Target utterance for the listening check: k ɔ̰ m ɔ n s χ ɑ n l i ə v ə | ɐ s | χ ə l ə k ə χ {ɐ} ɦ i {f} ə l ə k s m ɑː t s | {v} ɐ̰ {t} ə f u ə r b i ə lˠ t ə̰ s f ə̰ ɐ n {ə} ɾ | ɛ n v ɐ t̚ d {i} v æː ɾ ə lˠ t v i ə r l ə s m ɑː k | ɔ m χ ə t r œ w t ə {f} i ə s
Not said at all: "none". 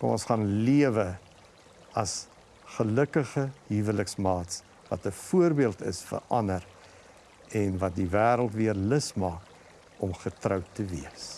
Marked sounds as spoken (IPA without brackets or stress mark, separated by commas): ə, v, v, t, ə, i, v